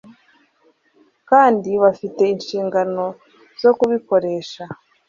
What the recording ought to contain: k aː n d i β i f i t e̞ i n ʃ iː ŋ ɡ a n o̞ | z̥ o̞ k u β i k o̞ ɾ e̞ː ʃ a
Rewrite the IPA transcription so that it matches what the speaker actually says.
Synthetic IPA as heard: k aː n d i β a f i t e̞ i n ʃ iː ŋ ɡ a n o̞ | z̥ o̞ k u β i k o̞ ɾ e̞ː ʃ a